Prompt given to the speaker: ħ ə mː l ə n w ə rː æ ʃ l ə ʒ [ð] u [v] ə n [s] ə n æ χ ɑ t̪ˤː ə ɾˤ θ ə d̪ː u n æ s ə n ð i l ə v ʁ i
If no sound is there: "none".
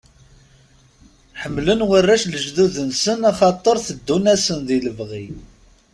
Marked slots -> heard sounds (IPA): ð, ð, s

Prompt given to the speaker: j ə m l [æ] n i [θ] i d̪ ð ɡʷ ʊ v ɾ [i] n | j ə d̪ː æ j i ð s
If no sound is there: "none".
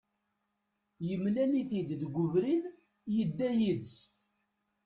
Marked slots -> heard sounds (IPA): æ, θ, i

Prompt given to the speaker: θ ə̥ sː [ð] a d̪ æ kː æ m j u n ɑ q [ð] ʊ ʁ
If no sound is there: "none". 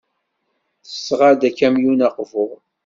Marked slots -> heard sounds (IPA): ʁ, v

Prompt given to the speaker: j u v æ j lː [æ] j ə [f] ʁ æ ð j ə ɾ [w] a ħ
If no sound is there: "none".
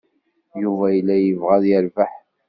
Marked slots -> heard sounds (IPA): æ, v, v

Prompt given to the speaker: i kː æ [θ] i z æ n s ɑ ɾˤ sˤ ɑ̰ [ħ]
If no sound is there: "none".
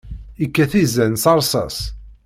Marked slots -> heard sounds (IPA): θ, s

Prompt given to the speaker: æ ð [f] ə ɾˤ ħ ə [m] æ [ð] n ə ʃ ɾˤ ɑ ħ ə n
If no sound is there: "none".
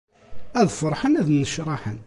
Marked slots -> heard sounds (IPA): f, n, ð

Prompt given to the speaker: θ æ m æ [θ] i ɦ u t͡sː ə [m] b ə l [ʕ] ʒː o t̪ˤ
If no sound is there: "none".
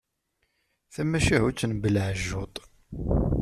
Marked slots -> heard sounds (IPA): ʃ, n, ʕ

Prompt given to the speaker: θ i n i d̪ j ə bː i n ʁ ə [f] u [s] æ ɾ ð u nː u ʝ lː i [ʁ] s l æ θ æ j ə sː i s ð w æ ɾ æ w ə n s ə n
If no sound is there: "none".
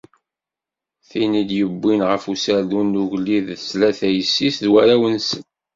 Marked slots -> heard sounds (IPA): f, s, ð

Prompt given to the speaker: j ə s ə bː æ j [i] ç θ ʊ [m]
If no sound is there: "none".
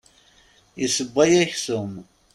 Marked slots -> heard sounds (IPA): æ, m

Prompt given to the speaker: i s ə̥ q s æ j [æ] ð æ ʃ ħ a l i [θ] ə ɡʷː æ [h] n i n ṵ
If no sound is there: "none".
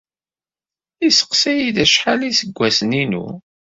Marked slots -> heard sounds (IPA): i, s, s

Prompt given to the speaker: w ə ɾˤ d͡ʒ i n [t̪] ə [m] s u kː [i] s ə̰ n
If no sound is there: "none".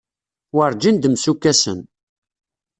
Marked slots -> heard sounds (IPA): d̪, m, æ

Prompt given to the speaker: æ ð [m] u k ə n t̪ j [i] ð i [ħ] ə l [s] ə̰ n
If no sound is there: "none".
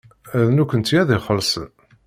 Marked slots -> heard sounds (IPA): n, æ, χ, s

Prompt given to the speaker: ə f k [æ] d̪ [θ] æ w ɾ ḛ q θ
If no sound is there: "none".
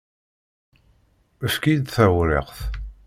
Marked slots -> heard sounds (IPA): i, θ

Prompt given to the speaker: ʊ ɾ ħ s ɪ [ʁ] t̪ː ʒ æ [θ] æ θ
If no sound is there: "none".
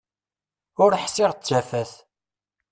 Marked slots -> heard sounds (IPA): ʁ, f

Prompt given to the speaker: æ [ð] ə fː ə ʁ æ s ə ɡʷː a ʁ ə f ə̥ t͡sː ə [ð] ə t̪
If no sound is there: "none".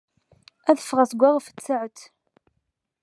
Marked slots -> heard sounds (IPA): ð, ʕ

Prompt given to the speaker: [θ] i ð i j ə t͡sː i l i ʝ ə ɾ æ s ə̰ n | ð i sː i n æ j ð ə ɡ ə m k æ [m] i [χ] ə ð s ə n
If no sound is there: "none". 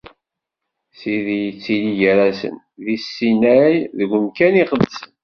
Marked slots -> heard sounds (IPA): s, n, χ

